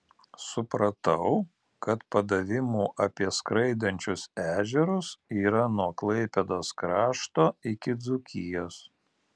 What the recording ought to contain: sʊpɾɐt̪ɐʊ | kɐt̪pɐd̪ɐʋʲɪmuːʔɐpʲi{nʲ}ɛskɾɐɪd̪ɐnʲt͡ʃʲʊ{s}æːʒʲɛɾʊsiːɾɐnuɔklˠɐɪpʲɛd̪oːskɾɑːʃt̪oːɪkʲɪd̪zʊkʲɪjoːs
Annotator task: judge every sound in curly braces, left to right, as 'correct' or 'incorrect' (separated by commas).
incorrect, correct